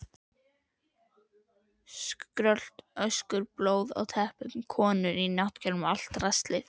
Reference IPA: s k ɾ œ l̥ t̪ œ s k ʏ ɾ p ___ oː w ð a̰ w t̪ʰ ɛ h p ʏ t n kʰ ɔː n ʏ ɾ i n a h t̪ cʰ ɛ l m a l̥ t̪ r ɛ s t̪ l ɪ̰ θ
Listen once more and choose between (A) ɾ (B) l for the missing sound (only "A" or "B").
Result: B